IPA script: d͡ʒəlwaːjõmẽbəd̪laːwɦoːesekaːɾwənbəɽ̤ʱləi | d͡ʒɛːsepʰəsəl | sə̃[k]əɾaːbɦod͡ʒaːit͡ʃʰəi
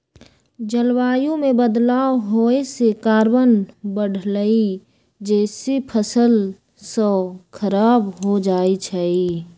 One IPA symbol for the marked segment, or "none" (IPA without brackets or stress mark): kʰ